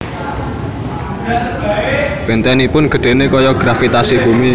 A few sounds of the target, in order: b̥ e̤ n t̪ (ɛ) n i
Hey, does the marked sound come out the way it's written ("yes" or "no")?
yes